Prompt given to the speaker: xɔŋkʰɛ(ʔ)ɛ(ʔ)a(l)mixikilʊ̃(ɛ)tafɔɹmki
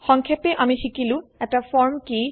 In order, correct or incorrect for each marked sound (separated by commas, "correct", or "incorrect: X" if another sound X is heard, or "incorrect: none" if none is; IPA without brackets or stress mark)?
incorrect: p, correct, incorrect: none, correct